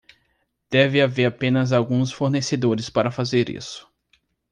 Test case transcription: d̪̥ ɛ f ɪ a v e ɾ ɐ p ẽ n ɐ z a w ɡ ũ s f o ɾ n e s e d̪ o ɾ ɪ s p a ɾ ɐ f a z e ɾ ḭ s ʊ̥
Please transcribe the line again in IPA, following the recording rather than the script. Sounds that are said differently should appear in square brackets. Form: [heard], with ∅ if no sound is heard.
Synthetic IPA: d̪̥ ɛ [v] ɪ a v e ɾ [a] p ẽ n ɐ z a w ɡ ũ s f o ɾ n e s e d̪ o ɾ ɪ s p a ɾ ɐ f a z e ɾ ḭ s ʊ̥